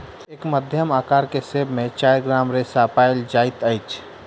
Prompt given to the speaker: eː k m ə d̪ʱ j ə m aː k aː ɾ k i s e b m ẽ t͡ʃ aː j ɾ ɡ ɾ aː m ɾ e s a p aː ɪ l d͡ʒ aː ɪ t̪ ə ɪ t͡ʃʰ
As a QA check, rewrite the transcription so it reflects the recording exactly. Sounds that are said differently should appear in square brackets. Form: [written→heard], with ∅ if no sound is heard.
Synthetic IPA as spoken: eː k m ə d̪ʱ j ə m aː k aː ɾ k [i→e] s e b m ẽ t͡ʃ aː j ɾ ɡ ɾ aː m ɾ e s a p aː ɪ l d͡ʒ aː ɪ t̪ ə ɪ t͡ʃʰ